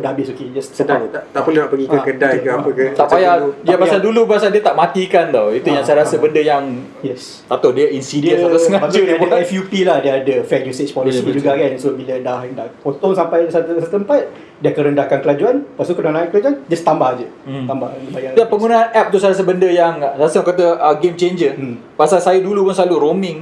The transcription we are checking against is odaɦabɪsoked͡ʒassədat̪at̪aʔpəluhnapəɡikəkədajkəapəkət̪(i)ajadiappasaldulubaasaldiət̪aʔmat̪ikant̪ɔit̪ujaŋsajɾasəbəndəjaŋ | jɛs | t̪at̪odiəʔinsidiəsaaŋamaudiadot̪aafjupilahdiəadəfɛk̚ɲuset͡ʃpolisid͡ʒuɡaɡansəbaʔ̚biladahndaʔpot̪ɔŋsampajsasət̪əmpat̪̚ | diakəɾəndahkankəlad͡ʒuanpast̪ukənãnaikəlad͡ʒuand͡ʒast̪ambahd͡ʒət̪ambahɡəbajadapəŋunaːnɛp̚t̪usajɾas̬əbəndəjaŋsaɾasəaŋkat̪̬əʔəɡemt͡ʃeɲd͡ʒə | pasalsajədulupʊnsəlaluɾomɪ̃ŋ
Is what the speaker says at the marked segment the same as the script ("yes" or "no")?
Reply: no